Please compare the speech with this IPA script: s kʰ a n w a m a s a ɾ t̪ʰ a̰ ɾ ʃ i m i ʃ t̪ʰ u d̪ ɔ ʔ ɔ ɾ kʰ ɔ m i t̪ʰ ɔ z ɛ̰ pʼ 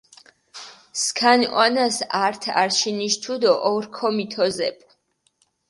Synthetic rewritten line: s kʰ a n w a n a s a ɾ t̪ʰ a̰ ɾ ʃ i n i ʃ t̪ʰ u d̪ ɔ ʔ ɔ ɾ kʰ ɔ m i t̪ʰ ɔ z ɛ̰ pʼ